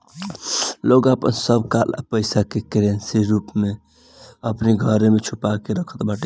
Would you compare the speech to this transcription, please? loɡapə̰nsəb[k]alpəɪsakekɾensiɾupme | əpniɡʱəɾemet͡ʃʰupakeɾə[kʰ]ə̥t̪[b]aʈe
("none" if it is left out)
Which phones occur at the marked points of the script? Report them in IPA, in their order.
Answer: k, kʰ, b

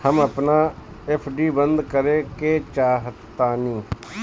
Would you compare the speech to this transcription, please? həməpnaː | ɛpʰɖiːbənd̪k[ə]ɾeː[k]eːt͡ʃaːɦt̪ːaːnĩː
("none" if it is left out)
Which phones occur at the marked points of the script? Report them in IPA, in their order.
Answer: ə, k

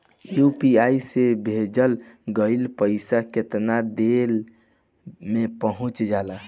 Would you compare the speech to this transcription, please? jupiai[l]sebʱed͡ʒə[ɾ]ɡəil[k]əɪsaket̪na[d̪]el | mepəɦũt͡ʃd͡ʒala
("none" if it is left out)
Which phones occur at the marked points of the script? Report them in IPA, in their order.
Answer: none, l, p, d̪

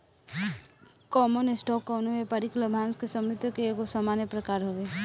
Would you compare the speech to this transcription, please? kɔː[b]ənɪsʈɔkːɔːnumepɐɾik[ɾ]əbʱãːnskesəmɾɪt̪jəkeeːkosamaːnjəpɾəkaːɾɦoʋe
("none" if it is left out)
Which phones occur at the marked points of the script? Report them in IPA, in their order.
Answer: m, l

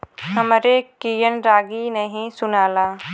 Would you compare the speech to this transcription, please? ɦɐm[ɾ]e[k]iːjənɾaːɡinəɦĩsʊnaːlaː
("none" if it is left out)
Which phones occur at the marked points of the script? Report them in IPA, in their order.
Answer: ɾ, k

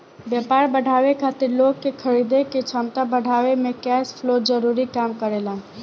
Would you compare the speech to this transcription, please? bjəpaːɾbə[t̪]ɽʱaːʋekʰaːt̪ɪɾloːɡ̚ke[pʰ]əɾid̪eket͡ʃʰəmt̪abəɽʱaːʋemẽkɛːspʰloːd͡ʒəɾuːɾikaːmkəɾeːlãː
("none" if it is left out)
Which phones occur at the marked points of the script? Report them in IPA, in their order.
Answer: none, kʰ

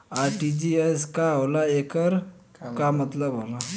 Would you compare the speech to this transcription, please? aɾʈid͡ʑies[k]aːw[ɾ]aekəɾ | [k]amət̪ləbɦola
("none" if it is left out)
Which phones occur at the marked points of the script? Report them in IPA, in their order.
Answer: k, l, k

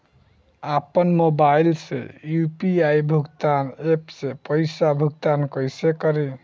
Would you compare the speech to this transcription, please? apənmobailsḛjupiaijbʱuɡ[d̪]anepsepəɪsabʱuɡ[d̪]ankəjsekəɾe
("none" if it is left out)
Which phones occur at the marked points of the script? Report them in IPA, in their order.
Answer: t̪, t̪

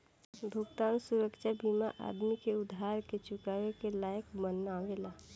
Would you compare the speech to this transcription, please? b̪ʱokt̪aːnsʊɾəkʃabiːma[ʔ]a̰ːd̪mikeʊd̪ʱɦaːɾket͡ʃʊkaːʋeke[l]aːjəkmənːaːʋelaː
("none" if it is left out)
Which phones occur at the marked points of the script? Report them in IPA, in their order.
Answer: ʔ, l

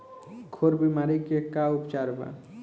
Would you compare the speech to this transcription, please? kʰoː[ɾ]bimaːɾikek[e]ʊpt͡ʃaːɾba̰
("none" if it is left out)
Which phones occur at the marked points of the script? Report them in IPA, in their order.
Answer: ɾ, a

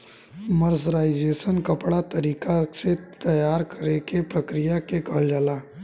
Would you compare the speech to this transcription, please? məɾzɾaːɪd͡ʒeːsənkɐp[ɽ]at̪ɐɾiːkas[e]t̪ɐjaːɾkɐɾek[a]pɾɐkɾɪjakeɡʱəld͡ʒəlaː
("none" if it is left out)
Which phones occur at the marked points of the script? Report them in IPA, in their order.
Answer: ɽ, e, e

